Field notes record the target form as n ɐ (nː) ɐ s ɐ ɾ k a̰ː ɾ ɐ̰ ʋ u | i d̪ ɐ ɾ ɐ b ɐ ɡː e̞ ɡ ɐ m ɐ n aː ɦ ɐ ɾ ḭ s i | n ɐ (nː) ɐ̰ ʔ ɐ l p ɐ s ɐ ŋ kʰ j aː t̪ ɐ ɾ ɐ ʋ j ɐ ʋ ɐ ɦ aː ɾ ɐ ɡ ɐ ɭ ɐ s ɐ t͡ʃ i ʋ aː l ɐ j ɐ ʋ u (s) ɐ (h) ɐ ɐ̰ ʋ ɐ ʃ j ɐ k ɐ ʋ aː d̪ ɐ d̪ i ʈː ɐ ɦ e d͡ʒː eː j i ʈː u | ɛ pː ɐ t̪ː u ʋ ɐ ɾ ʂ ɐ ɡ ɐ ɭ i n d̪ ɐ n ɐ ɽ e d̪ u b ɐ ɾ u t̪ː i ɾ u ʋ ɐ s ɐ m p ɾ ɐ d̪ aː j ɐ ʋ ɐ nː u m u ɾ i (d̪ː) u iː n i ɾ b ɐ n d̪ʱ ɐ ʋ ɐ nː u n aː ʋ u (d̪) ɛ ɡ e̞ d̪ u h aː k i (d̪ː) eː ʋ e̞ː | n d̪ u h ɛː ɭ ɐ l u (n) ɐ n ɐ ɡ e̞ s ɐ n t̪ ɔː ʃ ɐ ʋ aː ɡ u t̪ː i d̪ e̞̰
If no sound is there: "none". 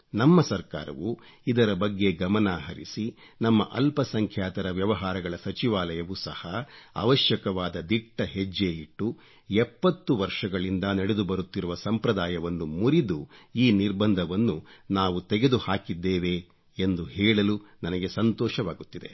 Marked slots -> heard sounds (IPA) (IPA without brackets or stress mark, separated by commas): mː, mː, s, h, d̪, t̪, d̪ː, n